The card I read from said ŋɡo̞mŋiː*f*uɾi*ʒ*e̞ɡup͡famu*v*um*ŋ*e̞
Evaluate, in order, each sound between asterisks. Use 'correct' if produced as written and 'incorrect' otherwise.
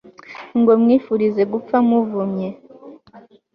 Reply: correct, incorrect, correct, incorrect

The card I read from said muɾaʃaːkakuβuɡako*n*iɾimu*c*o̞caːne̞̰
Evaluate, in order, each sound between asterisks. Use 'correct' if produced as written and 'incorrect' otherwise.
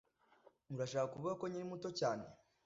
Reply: incorrect, incorrect

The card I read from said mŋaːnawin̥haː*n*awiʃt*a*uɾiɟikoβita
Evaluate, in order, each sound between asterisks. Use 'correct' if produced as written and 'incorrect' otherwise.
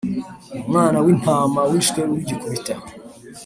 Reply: incorrect, incorrect

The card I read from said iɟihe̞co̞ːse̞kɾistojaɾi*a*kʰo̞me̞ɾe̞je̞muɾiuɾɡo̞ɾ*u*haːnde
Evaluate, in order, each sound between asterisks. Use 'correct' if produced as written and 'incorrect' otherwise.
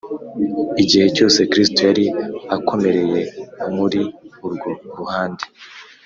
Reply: correct, correct

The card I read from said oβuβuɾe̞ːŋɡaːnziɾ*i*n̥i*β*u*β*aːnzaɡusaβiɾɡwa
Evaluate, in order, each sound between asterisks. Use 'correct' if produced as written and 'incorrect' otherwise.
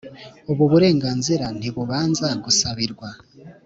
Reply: incorrect, correct, correct

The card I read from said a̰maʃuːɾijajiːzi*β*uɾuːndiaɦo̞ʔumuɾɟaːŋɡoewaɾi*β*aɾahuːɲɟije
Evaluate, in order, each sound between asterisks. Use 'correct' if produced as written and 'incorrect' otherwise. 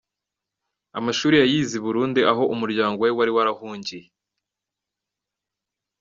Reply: correct, incorrect

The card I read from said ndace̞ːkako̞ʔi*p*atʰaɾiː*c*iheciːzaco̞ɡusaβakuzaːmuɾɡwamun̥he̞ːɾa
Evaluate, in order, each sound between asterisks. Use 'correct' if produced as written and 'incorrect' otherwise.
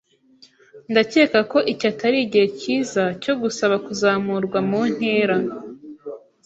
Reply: incorrect, incorrect

